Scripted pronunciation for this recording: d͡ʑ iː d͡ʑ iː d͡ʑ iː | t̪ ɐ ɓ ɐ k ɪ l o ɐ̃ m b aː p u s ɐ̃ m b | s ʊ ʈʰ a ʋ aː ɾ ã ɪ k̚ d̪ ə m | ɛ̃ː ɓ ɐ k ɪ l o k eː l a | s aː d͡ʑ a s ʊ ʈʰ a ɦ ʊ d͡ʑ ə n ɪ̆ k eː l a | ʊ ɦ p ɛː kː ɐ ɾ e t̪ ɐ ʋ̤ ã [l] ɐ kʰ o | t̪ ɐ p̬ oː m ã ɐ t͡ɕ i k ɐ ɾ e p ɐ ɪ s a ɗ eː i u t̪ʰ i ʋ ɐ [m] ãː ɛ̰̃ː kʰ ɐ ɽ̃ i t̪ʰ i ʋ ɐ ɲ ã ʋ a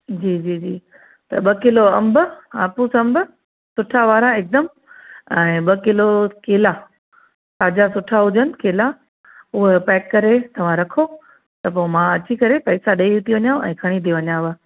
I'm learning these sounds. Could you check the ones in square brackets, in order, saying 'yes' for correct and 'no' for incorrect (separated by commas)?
no, no